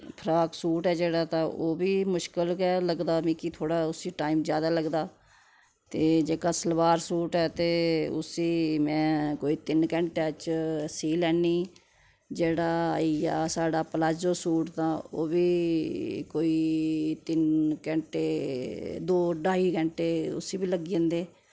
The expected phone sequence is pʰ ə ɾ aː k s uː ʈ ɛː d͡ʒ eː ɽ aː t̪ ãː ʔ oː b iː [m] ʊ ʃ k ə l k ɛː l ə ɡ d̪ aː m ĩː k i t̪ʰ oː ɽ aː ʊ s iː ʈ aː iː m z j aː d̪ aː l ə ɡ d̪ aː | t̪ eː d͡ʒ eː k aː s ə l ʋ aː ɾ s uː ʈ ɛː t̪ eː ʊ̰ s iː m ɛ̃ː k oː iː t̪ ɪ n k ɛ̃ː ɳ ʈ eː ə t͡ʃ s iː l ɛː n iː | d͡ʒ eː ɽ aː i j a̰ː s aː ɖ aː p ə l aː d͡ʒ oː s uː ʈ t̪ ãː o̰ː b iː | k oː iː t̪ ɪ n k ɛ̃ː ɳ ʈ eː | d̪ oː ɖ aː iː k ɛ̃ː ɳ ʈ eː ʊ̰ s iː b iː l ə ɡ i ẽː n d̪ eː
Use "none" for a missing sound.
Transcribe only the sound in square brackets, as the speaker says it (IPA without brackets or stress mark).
m